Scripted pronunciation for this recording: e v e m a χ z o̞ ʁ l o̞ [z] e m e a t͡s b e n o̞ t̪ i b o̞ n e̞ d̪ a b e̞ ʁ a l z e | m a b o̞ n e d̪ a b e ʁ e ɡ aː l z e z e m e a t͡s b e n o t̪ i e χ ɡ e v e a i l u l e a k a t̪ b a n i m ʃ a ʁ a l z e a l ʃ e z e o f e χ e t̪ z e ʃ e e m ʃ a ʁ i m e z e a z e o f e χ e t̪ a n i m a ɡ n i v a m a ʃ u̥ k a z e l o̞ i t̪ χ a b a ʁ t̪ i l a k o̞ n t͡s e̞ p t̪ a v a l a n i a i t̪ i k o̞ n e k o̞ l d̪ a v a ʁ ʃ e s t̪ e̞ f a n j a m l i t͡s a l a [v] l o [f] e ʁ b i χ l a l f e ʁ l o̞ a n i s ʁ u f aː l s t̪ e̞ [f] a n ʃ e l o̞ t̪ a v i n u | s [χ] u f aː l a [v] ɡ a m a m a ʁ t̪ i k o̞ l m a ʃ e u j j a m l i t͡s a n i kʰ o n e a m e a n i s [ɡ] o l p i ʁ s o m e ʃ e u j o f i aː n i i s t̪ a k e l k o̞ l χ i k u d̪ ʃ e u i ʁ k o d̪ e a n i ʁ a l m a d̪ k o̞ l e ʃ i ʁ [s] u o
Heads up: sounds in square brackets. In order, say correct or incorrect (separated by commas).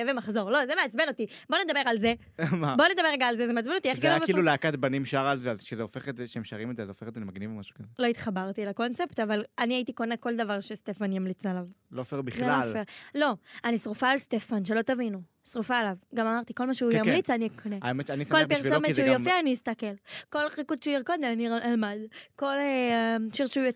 correct, correct, correct, correct, incorrect, correct, incorrect, incorrect